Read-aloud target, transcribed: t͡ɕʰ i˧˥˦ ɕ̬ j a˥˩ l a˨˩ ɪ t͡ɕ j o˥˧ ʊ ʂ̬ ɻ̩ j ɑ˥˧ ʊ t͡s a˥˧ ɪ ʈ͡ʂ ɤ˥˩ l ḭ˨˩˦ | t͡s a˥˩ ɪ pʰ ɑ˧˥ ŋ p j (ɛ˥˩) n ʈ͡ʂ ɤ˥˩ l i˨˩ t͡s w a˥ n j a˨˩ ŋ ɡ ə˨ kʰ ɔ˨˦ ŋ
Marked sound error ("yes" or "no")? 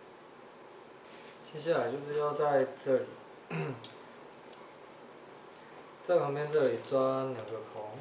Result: yes